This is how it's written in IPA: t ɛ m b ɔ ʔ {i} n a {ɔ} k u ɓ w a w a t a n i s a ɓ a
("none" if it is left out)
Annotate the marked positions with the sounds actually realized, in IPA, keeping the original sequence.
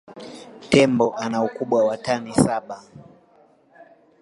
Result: a, u

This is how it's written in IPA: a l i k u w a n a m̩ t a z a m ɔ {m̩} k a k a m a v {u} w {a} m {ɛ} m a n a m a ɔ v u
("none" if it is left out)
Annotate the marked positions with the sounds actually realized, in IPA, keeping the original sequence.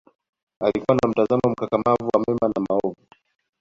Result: m̩, u, a, ɛ

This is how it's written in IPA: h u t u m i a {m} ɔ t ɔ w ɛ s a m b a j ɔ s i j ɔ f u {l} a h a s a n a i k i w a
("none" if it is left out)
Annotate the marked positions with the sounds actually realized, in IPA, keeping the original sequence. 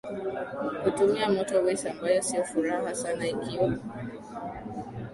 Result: m, ɾ

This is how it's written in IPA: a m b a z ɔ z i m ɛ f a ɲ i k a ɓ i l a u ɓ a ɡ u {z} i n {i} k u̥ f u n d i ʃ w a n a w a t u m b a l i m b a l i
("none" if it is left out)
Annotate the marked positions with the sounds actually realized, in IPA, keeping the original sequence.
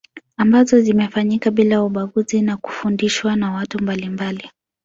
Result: z, a

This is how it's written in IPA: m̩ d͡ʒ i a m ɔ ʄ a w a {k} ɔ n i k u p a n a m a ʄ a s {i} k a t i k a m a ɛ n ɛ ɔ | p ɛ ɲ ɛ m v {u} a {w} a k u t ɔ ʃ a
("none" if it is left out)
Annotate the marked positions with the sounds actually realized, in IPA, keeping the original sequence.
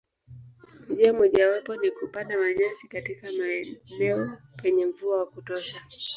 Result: p, i, u, w

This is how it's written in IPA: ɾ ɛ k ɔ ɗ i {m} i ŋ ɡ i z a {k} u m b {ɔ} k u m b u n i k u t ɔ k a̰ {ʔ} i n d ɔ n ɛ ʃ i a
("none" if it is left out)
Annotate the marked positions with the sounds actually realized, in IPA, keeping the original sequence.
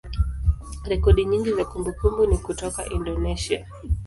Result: ɲ, k, u, ʔ

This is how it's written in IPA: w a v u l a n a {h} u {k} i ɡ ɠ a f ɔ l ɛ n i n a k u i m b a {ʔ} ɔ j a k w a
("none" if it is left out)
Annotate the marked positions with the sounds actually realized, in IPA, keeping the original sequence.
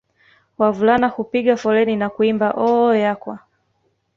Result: h, p, ʔ

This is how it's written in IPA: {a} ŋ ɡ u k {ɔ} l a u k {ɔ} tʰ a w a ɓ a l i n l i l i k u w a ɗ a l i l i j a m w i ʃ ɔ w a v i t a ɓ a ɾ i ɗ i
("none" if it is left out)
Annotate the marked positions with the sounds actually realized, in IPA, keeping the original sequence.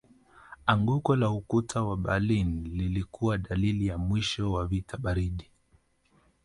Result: a, ɔ, u

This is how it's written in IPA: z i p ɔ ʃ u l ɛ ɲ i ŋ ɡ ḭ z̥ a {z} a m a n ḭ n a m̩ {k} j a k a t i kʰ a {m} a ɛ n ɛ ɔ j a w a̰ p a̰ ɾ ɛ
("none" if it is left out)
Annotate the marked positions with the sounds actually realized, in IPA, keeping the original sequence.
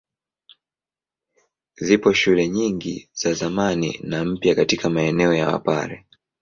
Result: z, p, m

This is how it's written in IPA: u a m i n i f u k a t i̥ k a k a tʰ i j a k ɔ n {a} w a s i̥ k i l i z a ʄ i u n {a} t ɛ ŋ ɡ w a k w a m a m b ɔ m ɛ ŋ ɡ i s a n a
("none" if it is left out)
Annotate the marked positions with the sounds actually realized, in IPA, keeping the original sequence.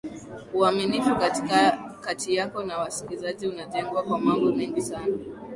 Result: a, a

